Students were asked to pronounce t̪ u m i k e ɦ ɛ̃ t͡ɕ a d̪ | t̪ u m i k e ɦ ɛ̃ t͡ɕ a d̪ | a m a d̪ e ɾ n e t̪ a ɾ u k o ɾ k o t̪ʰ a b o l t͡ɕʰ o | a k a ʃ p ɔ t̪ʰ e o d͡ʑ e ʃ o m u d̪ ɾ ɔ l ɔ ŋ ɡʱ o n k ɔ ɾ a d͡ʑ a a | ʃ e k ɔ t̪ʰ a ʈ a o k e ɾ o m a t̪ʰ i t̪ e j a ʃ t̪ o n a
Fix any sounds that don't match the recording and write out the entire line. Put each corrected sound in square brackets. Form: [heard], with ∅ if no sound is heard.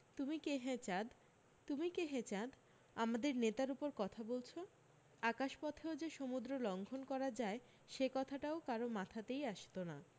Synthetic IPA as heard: t̪ u m i k e ɦ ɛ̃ t͡ɕ a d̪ | t̪ u m i k e ɦ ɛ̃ t͡ɕ a d̪ | a m a d̪ e ɾ n e t̪ a ɾ u [p] o ɾ k [ɔ] t̪ʰ a b o l t͡ɕʰ o | a k a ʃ p ɔ t̪ʰ e o d͡ʑ e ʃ o m u d̪ ɾ [o] l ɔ ŋ ɡʱ o n k ɔ ɾ a d͡ʑ a [e] | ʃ e k ɔ t̪ʰ a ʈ a o k [a] ɾ o m a t̪ʰ [a] t̪ e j a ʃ t̪ o n a